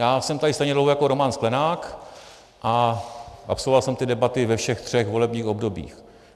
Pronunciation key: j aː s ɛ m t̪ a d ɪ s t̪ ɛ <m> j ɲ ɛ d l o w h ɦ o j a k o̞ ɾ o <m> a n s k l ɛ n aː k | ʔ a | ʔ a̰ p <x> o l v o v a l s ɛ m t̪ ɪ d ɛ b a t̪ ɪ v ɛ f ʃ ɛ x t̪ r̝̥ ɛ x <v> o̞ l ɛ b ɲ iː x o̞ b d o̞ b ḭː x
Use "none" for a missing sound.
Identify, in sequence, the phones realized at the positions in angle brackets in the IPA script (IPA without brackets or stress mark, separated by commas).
none, m, s, v